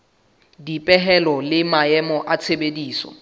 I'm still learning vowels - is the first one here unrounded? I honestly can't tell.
yes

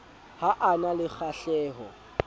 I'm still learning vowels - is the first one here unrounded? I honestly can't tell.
yes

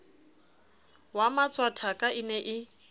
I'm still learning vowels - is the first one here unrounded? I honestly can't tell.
yes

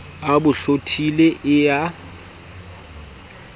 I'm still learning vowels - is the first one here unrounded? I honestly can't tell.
yes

